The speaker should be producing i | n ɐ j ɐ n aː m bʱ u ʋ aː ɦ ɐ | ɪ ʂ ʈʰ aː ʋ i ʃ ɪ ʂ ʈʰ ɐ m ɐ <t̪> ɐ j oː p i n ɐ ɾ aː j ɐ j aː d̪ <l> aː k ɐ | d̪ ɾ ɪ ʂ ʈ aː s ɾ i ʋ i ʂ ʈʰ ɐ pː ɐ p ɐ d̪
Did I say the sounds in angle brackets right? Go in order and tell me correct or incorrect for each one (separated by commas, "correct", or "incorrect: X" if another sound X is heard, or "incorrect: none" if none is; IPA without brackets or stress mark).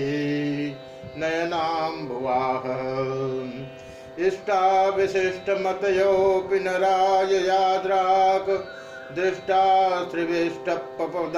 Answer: correct, incorrect: ɾ